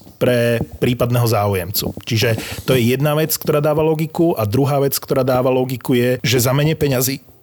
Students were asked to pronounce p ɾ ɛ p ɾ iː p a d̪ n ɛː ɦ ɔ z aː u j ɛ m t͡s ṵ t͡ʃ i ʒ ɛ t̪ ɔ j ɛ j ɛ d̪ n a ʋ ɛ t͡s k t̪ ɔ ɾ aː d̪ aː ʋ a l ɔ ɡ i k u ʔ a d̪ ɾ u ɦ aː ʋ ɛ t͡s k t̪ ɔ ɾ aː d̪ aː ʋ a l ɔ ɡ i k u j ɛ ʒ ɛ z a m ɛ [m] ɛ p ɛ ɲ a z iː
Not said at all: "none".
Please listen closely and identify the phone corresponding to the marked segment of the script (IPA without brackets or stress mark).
ɲ